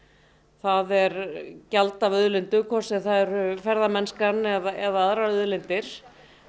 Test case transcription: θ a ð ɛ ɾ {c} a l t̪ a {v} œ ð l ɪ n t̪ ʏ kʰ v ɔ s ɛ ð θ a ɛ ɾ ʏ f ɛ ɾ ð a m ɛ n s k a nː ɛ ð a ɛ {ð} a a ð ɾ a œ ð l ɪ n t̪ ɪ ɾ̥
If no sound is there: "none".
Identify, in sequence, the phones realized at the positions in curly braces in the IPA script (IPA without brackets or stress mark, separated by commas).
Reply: c, v, ð